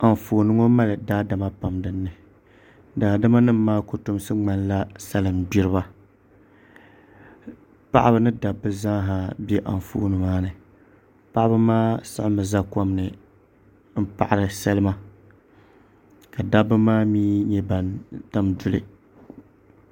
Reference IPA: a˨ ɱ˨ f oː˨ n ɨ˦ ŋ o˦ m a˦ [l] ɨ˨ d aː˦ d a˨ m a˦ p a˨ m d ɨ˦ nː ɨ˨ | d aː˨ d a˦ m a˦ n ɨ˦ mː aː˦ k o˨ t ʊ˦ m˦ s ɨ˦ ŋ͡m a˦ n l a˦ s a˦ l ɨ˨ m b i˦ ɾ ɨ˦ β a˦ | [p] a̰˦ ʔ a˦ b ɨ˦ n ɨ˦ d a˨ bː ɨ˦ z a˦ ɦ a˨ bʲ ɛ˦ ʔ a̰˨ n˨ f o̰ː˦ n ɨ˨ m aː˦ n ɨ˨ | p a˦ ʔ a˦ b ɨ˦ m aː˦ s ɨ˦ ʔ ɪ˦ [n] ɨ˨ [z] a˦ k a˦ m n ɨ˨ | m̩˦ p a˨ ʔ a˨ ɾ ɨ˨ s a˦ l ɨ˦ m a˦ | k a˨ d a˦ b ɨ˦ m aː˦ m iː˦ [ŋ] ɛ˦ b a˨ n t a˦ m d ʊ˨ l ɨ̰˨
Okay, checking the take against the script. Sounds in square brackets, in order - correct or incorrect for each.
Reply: correct, correct, incorrect: m, correct, incorrect: ɲ

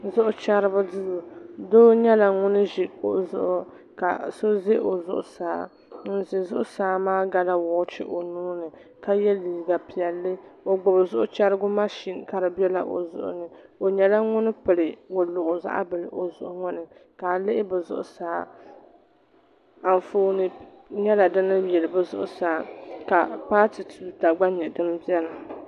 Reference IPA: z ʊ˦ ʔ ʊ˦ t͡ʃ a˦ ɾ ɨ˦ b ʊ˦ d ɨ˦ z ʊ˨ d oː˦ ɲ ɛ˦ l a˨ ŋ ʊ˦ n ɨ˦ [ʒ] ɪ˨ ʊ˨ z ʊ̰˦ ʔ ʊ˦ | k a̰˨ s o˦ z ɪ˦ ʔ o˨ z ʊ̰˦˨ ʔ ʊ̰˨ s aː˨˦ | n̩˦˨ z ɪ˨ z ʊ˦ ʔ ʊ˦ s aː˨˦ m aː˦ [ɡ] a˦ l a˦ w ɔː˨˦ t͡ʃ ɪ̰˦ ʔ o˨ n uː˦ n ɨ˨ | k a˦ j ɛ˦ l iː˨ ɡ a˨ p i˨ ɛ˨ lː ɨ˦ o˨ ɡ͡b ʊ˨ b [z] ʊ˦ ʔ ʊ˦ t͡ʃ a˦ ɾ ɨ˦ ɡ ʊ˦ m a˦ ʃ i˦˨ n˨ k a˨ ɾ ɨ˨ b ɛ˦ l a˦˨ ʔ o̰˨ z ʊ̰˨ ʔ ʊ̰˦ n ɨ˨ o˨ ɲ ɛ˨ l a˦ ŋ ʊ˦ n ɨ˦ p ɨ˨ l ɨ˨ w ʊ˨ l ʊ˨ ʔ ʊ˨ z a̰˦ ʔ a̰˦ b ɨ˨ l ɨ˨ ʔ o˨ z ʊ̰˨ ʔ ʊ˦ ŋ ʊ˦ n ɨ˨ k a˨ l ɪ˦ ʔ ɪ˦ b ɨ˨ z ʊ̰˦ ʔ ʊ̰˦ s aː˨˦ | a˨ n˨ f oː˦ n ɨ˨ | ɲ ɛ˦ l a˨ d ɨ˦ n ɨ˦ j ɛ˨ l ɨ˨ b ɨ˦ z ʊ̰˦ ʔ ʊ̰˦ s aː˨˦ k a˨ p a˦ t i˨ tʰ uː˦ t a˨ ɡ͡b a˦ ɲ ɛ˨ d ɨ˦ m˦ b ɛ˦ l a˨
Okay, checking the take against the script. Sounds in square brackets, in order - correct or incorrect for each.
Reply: correct, correct, correct

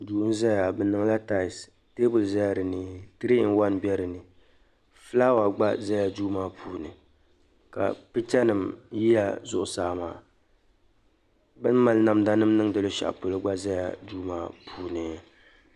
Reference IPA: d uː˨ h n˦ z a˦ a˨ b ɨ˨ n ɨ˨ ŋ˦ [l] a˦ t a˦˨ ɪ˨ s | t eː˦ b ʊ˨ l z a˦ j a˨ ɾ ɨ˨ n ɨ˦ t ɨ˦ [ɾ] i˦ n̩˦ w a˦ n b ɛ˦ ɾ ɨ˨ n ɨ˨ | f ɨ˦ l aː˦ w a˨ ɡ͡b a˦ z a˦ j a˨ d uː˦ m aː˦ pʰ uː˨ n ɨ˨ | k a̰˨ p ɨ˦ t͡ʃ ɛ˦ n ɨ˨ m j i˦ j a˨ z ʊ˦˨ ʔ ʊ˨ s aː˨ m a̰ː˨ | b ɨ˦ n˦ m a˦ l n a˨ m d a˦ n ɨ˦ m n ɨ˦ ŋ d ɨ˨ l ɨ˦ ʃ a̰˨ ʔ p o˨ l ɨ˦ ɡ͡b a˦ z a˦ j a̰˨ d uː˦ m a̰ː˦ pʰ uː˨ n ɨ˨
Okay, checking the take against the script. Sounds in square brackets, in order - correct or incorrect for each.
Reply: correct, correct

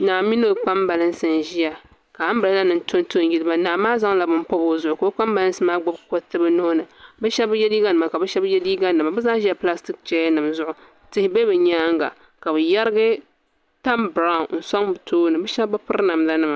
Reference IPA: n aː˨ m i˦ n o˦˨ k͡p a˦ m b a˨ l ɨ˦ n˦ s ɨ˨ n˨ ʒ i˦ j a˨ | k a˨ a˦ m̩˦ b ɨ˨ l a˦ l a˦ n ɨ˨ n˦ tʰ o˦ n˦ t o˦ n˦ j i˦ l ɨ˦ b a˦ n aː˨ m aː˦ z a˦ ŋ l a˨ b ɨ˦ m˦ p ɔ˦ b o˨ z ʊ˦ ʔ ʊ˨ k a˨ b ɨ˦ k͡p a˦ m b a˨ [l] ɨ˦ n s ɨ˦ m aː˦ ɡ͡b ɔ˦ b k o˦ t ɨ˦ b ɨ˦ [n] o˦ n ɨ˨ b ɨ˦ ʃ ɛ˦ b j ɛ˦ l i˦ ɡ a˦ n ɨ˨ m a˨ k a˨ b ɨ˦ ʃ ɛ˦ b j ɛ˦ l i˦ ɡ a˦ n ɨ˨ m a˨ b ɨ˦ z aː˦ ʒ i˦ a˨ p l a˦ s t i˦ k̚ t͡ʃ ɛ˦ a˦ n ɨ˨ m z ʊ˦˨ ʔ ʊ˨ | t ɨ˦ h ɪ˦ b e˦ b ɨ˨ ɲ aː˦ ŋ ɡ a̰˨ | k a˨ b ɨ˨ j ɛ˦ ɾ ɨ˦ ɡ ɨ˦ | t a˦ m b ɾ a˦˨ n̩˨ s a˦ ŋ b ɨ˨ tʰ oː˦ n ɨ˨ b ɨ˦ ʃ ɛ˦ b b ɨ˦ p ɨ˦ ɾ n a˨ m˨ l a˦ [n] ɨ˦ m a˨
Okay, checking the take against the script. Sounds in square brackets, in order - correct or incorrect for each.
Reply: correct, correct, correct

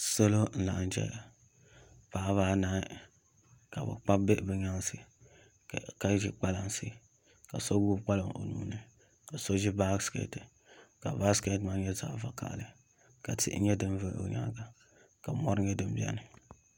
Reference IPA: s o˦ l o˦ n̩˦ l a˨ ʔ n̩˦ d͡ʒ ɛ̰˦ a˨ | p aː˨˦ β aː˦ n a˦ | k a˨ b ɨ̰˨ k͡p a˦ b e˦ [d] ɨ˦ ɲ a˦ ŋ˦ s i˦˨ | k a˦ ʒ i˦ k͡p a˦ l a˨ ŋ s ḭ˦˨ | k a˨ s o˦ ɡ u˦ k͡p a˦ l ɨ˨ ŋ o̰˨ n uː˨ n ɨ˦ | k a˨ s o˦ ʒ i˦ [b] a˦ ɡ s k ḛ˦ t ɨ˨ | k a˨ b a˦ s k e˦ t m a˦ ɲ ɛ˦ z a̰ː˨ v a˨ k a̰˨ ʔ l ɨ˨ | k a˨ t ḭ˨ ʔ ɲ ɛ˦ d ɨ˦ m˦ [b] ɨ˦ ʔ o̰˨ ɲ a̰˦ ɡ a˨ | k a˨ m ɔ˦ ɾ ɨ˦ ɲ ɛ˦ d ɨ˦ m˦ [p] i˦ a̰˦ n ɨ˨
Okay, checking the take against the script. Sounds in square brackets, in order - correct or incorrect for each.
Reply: incorrect: b, correct, incorrect: v, incorrect: b

